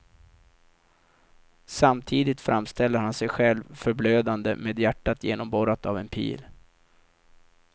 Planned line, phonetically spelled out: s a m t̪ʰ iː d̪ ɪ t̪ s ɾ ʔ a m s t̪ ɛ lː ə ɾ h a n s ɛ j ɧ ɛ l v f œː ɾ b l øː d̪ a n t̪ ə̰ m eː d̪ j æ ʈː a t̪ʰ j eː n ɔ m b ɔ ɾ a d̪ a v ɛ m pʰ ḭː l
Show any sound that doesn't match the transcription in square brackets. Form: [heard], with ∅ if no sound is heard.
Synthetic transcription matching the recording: s a m t̪ʰ iː d̪ ɪ t̪ [f] ɾ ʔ a m s t̪ ɛ lː ə ɾ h a n s ɛ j ɧ ɛ l v f [œ] ɾ b l øː d̪ a n [d̪] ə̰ m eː d̪ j æ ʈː a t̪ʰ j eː n ɔ m b ɔ ɾ a [t̪] a v ɛ [n] pʰ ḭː l